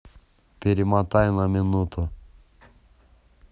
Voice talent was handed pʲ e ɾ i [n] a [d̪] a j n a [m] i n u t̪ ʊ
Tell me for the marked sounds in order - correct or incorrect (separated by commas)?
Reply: incorrect, incorrect, correct